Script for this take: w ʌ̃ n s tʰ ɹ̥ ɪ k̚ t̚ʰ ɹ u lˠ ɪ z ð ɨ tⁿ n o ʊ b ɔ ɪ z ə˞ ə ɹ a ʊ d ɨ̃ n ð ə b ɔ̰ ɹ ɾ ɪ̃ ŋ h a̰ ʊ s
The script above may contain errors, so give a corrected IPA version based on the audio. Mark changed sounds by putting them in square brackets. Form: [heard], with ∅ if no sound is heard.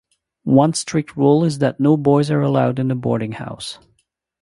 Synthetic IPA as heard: w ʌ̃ n s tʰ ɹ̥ ɪ k̚ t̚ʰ ɹ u lˠ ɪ z ð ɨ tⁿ n o ʊ b ɔ ɪ z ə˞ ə [l] a ʊ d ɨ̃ n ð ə b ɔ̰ ɹ ɾ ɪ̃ ŋ h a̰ ʊ s